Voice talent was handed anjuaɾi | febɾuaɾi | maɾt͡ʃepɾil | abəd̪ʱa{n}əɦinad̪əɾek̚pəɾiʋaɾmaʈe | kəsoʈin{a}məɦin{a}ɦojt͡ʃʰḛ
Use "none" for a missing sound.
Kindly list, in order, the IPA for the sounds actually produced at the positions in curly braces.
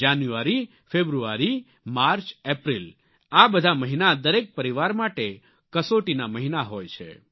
m, a, a

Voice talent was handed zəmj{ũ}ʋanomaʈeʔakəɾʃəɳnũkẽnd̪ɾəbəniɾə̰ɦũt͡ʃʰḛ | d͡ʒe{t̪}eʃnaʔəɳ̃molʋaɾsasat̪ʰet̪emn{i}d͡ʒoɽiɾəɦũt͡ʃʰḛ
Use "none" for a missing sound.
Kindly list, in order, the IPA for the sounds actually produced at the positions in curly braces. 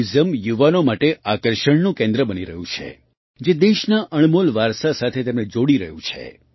u, d̪, e

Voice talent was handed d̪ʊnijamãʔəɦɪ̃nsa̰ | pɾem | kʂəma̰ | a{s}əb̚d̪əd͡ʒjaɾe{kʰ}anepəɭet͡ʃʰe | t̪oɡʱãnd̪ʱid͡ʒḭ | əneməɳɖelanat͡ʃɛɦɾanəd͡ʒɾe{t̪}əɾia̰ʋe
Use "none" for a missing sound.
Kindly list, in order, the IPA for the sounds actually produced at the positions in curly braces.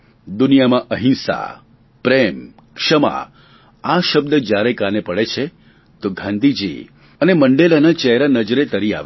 ʃ, k, t̪

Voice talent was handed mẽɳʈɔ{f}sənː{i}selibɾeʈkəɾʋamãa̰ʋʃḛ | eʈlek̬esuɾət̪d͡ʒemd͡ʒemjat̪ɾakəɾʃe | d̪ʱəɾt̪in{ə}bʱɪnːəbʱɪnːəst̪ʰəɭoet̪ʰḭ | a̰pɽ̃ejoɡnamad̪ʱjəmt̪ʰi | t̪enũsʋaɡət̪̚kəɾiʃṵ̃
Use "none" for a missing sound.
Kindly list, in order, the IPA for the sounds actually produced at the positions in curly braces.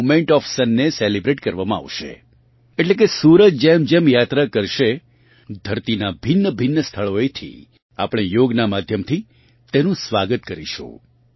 f, e, a

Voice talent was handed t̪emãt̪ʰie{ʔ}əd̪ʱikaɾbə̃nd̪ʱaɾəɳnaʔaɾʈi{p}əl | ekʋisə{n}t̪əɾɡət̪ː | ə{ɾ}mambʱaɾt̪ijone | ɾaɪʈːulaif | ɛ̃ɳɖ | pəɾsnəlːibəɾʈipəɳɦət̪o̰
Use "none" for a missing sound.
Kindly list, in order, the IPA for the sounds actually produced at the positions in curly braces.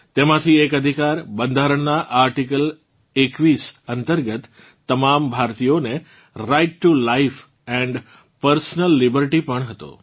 k, k, n, none

